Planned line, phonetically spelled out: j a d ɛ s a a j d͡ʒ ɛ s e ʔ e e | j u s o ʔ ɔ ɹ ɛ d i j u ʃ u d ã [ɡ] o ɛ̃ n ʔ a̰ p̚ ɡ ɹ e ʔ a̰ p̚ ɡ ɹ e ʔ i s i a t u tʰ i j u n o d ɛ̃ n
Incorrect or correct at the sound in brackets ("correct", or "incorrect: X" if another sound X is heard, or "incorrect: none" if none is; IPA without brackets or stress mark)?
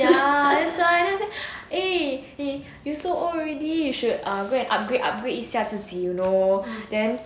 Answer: correct